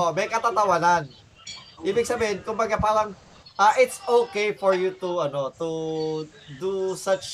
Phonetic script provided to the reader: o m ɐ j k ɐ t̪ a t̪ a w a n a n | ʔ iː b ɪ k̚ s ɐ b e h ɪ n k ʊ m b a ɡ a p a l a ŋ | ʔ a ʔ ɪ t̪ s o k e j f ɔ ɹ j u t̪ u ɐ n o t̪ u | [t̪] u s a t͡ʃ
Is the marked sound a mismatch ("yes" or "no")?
yes